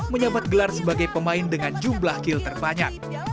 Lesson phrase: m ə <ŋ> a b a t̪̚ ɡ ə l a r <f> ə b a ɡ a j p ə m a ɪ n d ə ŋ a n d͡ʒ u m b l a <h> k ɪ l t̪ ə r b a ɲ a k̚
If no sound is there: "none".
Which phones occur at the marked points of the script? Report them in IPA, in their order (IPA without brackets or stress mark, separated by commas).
ɲ, s, h